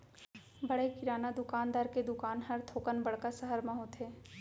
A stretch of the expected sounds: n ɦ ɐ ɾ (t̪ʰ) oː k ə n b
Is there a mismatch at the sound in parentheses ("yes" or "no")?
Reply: no